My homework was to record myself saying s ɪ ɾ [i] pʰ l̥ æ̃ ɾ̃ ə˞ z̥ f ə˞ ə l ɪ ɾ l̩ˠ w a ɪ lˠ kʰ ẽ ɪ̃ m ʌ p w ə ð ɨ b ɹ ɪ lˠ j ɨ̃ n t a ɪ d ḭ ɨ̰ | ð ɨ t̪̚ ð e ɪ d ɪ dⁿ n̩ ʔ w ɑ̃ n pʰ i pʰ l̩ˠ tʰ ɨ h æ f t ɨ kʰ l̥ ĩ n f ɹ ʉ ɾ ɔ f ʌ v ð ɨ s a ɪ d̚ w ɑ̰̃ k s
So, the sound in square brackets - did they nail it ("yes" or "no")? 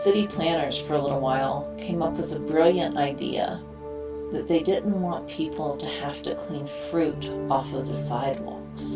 yes